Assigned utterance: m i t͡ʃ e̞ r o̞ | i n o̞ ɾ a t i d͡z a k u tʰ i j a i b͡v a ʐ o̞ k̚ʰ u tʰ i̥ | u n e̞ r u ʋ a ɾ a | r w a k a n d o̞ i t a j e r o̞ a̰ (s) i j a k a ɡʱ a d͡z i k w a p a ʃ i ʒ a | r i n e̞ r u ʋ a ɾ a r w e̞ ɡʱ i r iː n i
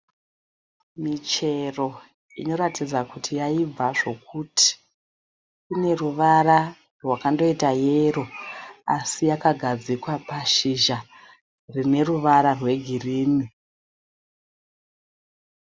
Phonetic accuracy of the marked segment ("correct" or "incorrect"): correct